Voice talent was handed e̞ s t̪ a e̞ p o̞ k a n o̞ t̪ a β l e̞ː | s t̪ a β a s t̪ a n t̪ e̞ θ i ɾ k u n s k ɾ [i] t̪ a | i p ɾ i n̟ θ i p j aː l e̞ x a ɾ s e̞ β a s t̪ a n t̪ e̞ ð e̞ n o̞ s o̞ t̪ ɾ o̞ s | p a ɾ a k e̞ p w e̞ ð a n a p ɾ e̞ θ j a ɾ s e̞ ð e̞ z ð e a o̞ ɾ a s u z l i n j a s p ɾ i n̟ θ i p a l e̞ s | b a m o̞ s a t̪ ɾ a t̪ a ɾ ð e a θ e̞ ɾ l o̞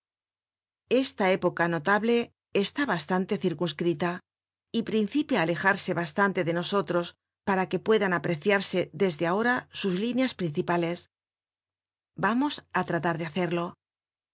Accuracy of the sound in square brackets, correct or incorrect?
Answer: correct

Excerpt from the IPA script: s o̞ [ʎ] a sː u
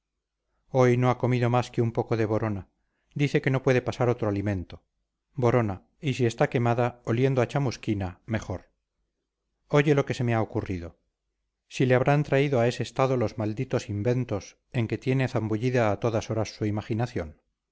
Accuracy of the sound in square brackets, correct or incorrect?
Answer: incorrect: ɾ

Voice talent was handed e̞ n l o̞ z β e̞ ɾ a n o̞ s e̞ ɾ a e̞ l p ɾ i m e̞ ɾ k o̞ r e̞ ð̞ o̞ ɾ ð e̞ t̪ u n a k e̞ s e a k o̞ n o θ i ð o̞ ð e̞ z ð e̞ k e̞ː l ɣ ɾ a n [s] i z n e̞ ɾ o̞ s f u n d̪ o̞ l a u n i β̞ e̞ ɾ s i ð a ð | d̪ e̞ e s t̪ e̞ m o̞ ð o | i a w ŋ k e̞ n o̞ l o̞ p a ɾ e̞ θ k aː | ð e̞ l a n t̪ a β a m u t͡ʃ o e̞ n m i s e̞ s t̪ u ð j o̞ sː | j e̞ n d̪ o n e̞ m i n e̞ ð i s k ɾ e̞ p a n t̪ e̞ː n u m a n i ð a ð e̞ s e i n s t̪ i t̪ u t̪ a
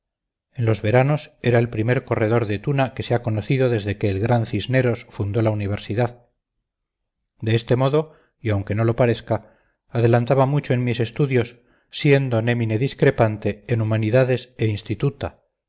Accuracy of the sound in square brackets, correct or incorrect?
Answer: incorrect: θ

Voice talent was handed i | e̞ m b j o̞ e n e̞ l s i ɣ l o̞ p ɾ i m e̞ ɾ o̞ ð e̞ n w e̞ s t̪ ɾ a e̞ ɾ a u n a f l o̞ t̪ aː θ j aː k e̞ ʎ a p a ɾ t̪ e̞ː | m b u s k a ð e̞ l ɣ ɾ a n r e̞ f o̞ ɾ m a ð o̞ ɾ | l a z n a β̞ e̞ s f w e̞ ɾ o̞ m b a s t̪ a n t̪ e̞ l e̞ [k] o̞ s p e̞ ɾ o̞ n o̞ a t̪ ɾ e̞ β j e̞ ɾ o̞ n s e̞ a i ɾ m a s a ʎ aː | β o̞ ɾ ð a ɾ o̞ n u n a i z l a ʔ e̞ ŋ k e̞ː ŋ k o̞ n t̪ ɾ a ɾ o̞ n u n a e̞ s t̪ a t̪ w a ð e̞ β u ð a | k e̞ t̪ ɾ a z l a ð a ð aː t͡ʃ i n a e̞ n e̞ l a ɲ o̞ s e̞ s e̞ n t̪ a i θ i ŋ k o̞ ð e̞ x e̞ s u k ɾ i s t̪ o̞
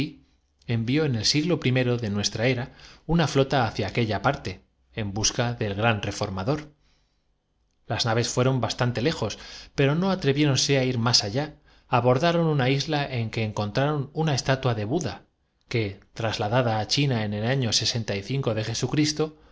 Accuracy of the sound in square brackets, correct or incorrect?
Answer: incorrect: x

